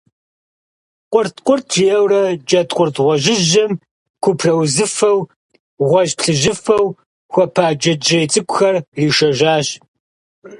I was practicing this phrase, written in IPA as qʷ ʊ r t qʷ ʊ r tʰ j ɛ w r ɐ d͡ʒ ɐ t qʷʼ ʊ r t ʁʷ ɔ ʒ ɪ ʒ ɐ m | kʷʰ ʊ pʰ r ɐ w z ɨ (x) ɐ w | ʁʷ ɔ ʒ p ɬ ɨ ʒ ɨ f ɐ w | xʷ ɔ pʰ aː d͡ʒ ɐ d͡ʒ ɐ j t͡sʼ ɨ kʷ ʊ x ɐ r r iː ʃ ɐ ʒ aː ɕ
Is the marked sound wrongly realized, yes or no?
yes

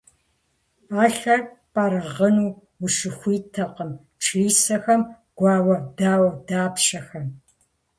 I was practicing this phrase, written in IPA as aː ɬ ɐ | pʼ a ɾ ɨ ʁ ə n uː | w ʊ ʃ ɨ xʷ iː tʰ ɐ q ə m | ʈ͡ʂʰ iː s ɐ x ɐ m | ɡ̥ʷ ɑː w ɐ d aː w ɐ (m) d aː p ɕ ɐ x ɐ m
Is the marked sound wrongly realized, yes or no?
yes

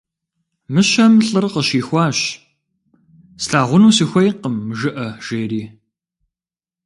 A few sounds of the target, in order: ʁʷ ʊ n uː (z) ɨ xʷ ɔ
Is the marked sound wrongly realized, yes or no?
yes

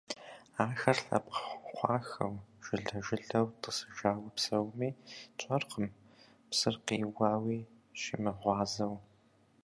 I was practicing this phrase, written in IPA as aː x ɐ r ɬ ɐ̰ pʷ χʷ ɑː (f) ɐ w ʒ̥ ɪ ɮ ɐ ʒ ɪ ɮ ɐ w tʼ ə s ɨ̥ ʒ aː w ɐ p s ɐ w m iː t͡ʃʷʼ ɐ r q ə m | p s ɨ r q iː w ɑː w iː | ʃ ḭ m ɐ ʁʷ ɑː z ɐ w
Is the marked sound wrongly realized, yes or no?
yes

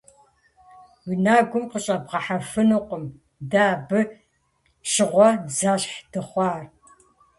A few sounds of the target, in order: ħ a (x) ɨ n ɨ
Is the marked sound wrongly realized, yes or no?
yes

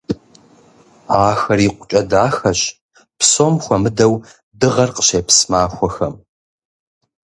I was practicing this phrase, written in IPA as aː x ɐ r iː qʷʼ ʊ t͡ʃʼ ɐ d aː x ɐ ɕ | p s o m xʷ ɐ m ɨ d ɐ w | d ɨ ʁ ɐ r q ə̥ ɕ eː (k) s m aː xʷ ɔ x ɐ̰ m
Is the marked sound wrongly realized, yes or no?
yes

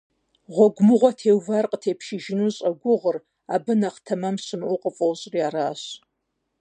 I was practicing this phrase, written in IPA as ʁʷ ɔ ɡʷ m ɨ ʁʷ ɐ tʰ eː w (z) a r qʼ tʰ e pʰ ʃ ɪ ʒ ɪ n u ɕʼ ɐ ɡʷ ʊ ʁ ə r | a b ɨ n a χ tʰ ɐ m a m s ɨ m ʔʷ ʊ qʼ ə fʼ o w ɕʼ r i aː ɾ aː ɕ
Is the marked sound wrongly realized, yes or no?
yes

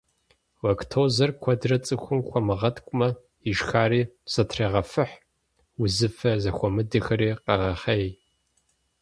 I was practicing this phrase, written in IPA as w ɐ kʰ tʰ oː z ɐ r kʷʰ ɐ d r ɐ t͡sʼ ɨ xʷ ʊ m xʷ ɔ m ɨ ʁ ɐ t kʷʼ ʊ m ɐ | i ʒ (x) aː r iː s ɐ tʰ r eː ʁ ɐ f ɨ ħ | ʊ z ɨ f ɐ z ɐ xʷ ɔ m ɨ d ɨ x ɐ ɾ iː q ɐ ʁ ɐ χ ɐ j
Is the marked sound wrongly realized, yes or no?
no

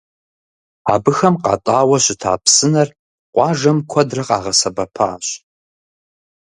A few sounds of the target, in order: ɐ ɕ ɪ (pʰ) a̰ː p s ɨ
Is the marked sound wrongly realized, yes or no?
yes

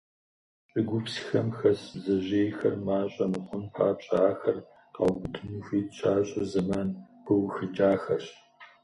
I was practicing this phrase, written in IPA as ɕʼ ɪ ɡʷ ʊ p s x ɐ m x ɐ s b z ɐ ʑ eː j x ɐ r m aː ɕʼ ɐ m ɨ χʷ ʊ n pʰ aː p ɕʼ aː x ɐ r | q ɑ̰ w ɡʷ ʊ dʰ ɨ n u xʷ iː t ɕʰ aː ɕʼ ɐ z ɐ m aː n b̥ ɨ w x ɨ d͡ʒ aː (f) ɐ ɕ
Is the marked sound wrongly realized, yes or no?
yes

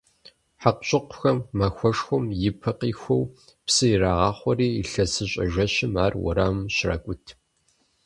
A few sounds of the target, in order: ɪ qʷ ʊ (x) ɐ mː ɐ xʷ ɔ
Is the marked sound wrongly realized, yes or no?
no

